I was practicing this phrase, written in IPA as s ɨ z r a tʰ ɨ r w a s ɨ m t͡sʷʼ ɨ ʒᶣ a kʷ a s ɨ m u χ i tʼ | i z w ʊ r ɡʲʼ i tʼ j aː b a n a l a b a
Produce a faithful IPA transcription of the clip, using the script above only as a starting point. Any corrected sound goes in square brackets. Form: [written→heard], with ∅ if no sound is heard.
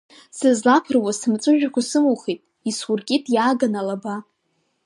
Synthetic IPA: s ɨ z [r→l] a [tʰ→pʰ] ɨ r w a s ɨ m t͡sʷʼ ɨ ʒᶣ a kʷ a s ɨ m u χ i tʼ | i [z→s] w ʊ r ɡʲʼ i tʼ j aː [b→ɡ] a n a l a b a